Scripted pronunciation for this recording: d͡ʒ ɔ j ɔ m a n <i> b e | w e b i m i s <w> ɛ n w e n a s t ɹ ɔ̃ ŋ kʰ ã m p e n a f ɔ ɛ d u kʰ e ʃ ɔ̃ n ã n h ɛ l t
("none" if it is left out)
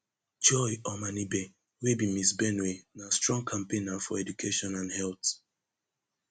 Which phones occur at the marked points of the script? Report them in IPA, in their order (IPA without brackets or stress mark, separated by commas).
i, b